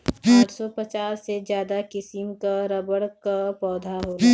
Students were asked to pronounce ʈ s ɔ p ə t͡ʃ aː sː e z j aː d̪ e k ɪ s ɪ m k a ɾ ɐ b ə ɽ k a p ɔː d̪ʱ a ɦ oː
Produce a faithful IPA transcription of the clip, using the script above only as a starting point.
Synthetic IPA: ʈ s ɔ p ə t͡ʃ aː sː e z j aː d̪ a k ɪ s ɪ m k a ɾ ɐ b ə ɽ k a p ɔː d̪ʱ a ɦ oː